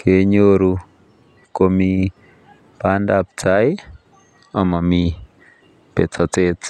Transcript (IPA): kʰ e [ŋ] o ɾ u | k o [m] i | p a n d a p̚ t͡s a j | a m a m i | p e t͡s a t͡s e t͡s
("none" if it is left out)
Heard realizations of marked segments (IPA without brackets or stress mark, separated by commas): ɲ, m